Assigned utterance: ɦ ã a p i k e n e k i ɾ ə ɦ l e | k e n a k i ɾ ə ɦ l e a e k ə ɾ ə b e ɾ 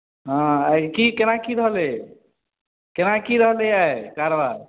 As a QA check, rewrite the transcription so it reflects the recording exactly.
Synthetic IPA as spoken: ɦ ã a k i k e n a k i ɾ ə ɦ l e | k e n a k i ɾ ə ɦ l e a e k a ɾ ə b a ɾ